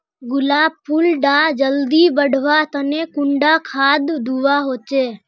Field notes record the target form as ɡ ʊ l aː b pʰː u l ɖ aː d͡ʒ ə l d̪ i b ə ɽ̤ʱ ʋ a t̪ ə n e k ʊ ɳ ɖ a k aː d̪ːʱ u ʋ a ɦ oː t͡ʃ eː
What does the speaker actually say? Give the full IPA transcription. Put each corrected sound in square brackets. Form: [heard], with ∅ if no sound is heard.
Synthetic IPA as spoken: ɡ ʊ l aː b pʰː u l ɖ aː d͡ʒ ə l d̪ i b ə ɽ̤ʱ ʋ a t̪ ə n e k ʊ ɳ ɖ a [kʰ] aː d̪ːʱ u ʋ a ɦ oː t͡ʃ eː

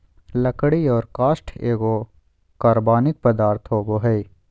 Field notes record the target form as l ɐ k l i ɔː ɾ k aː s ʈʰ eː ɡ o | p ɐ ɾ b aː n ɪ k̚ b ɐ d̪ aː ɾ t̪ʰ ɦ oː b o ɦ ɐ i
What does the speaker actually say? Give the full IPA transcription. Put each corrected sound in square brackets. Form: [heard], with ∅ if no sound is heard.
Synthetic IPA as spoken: l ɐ k [ɽ] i ɔː ɾ k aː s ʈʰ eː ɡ o | [k] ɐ ɾ b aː n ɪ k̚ [p] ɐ d̪ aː ɾ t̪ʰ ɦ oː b o ɦ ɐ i

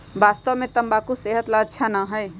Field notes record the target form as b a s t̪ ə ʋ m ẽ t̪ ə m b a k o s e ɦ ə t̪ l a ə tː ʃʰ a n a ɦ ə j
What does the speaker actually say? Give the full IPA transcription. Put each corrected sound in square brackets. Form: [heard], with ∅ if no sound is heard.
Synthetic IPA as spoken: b a s t̪ ə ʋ m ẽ t̪ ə m b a k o s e ɦ ə t̪ l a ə tː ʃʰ a n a ɦ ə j

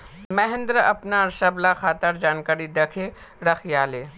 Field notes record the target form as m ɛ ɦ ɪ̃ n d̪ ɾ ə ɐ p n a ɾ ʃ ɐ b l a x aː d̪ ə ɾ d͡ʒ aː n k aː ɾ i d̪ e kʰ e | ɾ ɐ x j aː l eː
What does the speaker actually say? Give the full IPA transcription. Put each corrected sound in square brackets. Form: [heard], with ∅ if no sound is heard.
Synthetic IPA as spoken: m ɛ ɦ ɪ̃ n d̪ ɾ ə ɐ p n a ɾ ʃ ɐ b l a x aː [t̪] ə ɾ d͡ʒ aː n k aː ɾ i d̪ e kʰ e | ɾ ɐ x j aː l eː

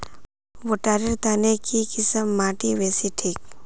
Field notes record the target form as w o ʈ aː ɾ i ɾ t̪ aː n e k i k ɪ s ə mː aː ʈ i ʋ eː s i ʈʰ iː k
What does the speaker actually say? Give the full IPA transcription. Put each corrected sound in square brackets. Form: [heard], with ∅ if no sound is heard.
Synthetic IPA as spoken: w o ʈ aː ɾ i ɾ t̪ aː n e k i k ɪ s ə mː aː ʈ i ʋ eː s i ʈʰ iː k

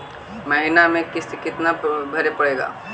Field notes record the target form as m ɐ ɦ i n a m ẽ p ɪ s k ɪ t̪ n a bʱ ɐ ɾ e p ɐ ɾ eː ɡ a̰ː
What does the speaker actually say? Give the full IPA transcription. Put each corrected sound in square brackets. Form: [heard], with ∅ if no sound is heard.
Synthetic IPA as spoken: m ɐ ɦ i n a m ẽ [k] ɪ s k ɪ t̪ n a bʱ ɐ ɾ e p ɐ [ɽ] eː ɡ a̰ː

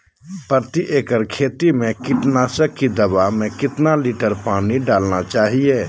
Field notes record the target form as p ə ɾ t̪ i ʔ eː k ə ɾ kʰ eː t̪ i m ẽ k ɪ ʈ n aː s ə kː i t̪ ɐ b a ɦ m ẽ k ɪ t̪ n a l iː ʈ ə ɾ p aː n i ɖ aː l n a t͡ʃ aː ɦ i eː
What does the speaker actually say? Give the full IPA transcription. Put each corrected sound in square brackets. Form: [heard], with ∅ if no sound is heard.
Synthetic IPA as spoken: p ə ɾ t̪ i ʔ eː k ə ɾ kʰ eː t̪ i m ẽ k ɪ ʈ n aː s ə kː i [d̪] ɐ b a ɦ m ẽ k ɪ t̪ n a l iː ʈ ə ɾ p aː n i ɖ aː l n a t͡ʃ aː ɦ i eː

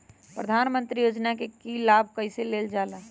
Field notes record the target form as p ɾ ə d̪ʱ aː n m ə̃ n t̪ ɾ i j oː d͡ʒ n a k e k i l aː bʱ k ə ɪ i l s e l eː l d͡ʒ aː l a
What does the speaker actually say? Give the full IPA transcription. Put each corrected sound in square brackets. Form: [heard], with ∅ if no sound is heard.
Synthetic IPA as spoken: p ɾ ə d̪ʱ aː n m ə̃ n t̪ ɾ i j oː d͡ʒ n a k e k i l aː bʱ k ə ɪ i [∅] s e l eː l d͡ʒ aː l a

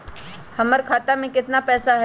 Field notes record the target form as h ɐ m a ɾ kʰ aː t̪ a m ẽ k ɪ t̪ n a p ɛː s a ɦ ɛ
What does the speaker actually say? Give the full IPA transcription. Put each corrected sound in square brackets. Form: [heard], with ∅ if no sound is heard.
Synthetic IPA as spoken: h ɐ m [ə] ɾ kʰ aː t̪ a m ẽ k ɪ t̪ n a p ɛː s a ɦ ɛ

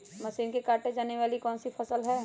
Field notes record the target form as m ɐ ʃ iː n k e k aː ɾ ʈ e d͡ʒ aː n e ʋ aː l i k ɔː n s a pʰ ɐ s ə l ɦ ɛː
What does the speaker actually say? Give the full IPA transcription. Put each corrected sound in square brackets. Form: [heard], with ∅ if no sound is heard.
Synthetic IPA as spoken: m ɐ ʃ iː n k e k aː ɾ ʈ e d͡ʒ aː n e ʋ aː l i k ɔː n s [i] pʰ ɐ s ə l ɦ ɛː

